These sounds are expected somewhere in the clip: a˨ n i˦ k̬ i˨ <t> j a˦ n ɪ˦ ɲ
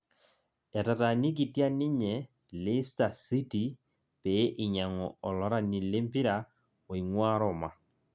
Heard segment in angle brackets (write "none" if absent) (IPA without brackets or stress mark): t